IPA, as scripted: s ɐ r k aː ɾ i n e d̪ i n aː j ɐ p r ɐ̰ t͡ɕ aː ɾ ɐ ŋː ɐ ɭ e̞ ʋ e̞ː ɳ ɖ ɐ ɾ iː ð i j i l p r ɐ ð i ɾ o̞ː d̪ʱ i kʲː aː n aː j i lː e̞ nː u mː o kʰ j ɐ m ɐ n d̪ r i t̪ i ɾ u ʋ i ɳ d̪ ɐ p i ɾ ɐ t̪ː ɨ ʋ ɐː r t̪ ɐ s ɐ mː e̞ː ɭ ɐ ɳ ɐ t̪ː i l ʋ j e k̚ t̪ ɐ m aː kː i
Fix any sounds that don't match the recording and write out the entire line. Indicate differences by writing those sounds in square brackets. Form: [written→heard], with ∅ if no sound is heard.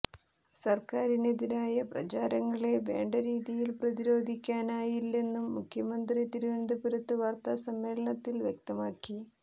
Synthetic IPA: s ɐ r k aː ɾ i n e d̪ i n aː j ɐ p r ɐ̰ t͡ɕ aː ɾ ɐ ŋː ɐ ɭ e̞ ʋ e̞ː ɳ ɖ ɐ ɾ iː ð i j i l p r ɐ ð i ɾ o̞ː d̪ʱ i kʲː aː n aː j i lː e̞ nː u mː [o→u] kʰ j ɐ m ɐ n d̪ r i t̪ i ɾ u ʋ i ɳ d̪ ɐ p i ɾ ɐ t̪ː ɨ ʋ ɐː r t̪ ɐ s ɐ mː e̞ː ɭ ɐ ɳ ɐ t̪ː i l ʋ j e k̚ t̪ ɐ m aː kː i